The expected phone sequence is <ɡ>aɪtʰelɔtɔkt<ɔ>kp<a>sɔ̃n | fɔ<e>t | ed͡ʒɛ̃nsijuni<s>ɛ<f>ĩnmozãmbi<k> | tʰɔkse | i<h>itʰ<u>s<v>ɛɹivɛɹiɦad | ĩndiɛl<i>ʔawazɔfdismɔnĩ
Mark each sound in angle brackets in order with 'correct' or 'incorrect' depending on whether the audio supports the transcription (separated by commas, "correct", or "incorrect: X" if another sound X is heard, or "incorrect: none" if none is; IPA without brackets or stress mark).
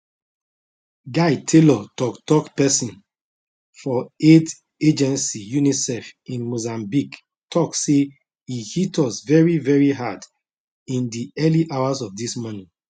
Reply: correct, correct, incorrect: ɛ, correct, correct, correct, correct, correct, incorrect: ɔ, correct, correct